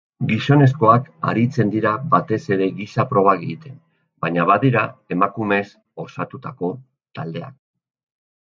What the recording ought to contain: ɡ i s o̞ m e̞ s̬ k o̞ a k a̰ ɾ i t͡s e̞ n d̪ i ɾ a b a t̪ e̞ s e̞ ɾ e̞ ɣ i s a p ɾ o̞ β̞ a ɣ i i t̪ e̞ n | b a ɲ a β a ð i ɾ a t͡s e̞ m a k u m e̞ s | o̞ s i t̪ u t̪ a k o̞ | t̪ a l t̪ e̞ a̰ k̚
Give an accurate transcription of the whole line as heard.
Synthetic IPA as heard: ɡ i s o̞ n e̞ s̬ k o̞ a k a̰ ɾ i t͡s e̞ n d̪ i ɾ a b a t̪ e̞ s e̞ ɾ e̞ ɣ i s a p ɾ o̞ β̞ a ɣ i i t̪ e̞ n | b a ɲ a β a ð i ɾ a e̞ m a k u m e̞ s | o̞ s a t̪ u t̪ a k o̞ | t̪ a l d̪ e̞ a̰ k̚

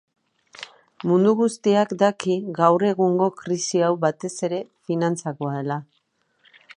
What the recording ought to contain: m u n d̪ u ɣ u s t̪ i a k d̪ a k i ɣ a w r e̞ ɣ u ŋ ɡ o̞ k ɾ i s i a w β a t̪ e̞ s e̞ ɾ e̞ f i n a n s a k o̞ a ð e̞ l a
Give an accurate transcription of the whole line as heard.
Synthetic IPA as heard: m u n d̪ u ɣ u s t̪ i a k d̪ a k i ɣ a w r e̞ ɣ u ŋ ɡ o̞ k ɾ i s i a w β a t̪ e̞ s e̞ ɾ e̞ f i n a n t͡s a k o̞ a ð e̞ l a

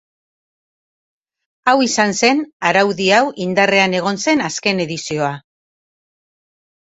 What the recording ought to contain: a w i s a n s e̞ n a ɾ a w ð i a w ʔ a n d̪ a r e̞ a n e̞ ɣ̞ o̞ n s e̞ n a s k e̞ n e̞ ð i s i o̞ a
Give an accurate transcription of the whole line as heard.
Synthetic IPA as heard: a w i s a n s e̞ n a ɾ a w ð i a w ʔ i n d̪ a r e̞ a n e̞ ɣ̞ o̞ n s e̞ n a s k e̞ n e̞ ð i s i o̞ a

